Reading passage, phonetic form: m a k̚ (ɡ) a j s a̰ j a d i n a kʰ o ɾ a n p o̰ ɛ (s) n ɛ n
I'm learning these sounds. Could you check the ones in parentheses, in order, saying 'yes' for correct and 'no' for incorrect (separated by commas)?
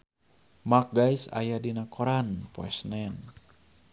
yes, yes